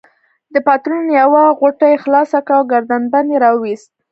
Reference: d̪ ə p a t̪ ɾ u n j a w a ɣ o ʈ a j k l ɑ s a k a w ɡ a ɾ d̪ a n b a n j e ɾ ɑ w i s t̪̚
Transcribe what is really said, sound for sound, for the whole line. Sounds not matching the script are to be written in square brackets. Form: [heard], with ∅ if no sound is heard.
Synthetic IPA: d̪ ə p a t̪ ɾ u n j a w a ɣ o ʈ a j [x] l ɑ s a k a w ɡ a ɾ d̪ a n b a n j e ɾ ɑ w i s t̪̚